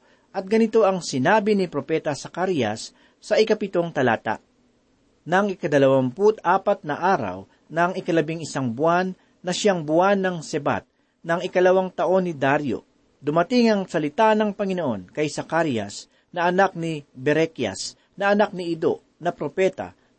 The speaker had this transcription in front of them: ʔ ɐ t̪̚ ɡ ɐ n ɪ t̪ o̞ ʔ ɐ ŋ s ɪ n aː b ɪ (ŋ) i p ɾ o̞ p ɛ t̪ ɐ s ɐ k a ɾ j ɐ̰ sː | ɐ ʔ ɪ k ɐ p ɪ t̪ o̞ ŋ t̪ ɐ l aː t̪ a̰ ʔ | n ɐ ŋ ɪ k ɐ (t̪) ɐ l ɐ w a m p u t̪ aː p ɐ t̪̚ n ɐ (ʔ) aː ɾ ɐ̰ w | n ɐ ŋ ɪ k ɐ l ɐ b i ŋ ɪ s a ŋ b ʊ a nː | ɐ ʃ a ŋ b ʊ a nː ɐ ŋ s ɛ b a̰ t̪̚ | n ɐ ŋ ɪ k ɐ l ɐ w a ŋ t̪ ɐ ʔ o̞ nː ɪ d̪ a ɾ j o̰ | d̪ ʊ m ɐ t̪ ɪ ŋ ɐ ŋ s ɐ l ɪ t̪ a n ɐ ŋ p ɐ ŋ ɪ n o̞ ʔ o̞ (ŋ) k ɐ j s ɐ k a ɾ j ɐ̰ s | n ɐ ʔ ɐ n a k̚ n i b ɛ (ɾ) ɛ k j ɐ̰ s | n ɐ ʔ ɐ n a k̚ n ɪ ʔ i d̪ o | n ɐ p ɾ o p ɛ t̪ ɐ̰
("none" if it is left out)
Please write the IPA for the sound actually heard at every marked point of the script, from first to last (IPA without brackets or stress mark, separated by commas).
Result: n, d̪, ʔ, n, ɾ